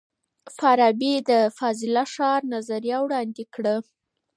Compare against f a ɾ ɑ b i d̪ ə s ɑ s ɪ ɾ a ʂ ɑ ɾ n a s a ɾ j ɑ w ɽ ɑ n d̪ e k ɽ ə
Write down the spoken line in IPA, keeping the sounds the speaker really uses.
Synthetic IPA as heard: f a ɾ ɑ b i d̪ ə f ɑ z ɪ l a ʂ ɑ ɾ n a z a ɾ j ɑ w ɽ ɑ n d̪ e k ɽ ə